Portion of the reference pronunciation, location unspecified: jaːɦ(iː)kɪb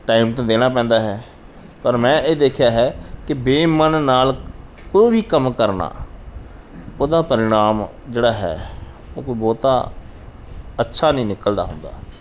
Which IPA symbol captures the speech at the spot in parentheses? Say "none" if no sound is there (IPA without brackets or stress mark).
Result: ɛː